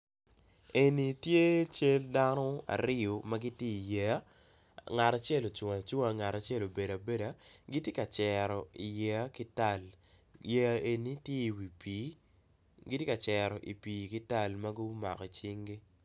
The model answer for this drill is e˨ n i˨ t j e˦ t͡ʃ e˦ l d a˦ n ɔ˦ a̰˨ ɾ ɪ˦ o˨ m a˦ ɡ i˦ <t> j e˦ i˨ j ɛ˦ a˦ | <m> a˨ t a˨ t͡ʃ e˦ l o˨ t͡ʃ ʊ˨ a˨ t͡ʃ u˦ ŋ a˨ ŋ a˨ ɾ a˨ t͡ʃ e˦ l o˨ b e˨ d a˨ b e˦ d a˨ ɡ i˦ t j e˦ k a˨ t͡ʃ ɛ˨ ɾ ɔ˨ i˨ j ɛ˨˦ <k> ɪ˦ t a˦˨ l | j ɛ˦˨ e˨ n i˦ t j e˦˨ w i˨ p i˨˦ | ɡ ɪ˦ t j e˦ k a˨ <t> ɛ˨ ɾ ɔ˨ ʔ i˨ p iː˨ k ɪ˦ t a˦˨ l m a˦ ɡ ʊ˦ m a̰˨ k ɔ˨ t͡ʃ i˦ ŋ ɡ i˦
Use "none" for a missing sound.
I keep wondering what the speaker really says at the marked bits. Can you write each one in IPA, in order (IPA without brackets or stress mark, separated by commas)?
t, ŋ, k, t͡ʃ